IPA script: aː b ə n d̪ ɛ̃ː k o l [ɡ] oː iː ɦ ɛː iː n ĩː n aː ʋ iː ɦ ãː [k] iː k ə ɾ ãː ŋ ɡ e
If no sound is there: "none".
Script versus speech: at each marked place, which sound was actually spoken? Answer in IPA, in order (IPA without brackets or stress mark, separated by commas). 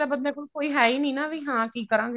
k, k